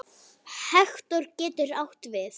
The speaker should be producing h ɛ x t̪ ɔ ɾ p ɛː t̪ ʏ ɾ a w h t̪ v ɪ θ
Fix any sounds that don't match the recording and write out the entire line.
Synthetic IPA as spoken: h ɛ x t̪ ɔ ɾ c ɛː t̪ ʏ ɾ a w h t̪ v ɪ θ